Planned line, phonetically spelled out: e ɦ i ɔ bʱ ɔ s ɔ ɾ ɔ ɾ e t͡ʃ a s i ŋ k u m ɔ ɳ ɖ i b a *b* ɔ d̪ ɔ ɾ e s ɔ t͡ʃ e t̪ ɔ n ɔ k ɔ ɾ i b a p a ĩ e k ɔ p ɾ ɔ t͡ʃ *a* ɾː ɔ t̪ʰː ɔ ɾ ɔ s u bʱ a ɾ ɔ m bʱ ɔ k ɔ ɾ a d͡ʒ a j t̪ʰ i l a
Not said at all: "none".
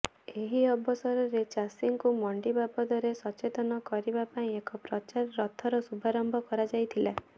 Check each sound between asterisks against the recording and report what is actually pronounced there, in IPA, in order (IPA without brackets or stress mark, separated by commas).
b, a